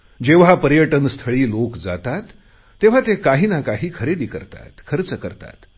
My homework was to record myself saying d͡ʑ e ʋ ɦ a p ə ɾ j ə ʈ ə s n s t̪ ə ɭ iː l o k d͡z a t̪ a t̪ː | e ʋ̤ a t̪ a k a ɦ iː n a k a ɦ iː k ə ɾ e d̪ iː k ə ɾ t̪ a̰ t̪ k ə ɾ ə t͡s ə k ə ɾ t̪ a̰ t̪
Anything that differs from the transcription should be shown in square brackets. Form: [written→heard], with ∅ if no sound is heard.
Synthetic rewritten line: d͡ʑ e ʋ ɦ a p ə ɾ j ə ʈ ə [s→∅] n s [t̪→t̪ʰ] ə ɭ iː l o k d͡z a t̪ a t̪ː | e ʋ̤ a t̪ [a→e] k a ɦ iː n a k a ɦ iː [k→kʰ] ə ɾ e d̪ iː k ə ɾ t̪ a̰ t̪ [k→kʰ] ə ɾ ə t͡s ə k ə ɾ t̪ a̰ t̪